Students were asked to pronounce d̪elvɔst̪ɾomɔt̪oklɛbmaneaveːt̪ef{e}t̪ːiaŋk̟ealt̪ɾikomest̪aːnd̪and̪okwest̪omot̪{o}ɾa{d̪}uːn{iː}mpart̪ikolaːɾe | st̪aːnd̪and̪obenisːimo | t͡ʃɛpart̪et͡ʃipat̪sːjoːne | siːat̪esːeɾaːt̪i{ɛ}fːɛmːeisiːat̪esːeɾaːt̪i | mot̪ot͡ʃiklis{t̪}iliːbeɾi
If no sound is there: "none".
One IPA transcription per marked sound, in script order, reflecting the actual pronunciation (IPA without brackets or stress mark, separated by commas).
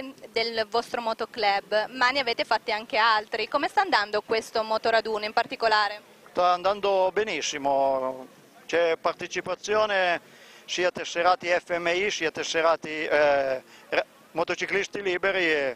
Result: a, o, d̪, i, ɛ, t̪